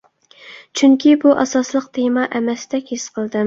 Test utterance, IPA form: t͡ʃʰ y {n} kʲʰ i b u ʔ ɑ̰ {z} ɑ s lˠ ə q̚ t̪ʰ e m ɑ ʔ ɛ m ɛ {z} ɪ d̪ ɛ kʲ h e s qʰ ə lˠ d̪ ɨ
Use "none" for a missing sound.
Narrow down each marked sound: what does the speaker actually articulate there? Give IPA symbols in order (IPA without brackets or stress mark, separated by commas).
ŋ, s, s